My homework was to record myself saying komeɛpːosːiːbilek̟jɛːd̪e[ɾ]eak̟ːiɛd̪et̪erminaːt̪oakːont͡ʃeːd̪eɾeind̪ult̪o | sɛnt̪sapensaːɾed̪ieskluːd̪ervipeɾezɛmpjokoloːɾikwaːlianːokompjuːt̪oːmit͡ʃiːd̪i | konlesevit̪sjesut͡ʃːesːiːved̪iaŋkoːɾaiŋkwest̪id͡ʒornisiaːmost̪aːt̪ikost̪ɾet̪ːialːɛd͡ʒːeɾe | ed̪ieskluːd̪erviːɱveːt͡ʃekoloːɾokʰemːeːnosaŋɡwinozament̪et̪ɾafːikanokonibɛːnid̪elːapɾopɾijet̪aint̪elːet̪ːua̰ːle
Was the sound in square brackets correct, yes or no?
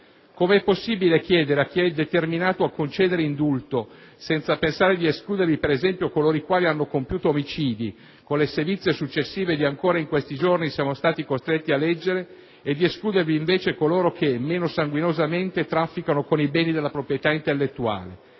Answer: yes